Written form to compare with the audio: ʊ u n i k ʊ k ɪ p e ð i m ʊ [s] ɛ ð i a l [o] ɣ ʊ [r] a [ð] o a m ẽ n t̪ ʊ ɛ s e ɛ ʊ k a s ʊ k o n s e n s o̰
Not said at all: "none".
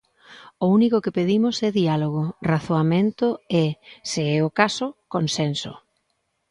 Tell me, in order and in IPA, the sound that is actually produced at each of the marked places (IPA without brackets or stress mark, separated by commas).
s, o, r, θ